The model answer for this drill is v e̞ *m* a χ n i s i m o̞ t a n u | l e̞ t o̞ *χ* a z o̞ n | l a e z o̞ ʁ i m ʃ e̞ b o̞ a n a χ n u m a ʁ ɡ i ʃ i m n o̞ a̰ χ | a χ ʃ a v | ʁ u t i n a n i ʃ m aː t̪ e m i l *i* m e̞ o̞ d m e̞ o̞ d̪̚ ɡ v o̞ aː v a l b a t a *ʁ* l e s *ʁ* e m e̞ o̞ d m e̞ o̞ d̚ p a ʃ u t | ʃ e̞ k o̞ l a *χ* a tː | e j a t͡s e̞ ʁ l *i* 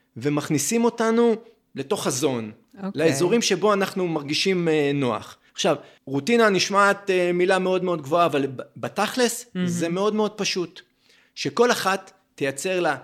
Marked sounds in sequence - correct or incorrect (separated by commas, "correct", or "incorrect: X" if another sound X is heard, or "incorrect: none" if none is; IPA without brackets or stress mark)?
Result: correct, correct, incorrect: a, incorrect: χ, incorrect: z, correct, incorrect: a